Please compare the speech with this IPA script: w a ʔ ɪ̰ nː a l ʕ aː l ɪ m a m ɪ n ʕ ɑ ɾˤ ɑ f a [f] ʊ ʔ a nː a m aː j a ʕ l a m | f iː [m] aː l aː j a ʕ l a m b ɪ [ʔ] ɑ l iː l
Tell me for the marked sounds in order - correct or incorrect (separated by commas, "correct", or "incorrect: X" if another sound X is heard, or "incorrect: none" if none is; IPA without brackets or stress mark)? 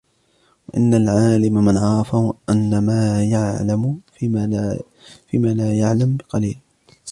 incorrect: h, correct, incorrect: q